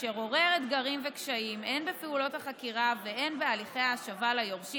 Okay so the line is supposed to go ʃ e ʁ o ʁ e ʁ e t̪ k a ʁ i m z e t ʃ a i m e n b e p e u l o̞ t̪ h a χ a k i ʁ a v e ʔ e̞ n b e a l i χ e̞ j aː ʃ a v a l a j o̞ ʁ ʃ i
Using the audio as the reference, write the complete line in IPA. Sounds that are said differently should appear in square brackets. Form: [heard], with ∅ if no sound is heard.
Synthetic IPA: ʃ e ʁ o ʁ e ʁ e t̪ [ɡ] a ʁ i m [v] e [k] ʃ a i m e n b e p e u l o̞ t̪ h a χ a k i ʁ a v e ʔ e̞ n b e a l i χ e̞ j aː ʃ a v a l a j o̞ ʁ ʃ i